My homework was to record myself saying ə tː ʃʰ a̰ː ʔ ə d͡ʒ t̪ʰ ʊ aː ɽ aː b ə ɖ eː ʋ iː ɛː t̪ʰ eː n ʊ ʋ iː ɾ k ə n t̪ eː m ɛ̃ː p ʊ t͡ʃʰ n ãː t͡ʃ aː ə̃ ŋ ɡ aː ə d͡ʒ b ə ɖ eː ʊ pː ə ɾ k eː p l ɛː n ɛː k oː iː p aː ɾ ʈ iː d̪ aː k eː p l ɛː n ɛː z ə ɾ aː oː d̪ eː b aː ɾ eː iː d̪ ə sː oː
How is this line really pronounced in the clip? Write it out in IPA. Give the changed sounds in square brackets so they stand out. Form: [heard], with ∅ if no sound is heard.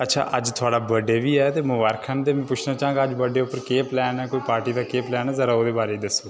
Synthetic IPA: ə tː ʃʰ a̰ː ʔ ə d͡ʒ t̪ʰ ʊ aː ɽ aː b ə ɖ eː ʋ iː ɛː [t̪] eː [m] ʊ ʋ [aː] ɾ [kʰ] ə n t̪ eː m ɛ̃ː p ʊ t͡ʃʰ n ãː t͡ʃ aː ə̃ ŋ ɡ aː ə d͡ʒ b ə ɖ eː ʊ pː ə ɾ k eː p l ɛː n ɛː k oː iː p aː ɾ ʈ iː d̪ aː k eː p l ɛː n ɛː z ə ɾ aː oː d̪ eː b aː ɾ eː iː d̪ ə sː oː